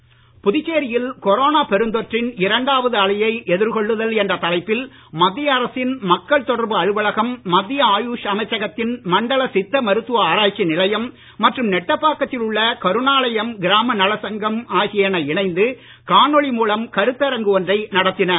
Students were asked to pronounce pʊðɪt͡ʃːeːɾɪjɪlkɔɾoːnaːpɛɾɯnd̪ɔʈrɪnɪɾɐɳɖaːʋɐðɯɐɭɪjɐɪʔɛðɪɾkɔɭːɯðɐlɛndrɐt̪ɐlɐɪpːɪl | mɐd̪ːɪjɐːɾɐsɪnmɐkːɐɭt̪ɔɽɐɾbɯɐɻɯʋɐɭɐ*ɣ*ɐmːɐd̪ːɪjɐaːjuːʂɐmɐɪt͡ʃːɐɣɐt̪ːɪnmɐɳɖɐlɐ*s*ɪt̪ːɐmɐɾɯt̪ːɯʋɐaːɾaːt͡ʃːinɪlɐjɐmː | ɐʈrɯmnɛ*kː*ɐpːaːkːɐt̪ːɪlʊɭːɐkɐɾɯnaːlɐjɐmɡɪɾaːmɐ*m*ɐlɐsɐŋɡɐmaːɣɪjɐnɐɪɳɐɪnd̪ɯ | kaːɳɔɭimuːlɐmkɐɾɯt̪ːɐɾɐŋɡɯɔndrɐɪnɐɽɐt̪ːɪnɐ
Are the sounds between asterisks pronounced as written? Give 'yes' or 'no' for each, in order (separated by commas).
yes, yes, no, no